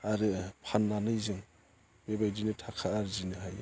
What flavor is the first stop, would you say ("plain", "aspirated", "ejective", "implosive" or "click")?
aspirated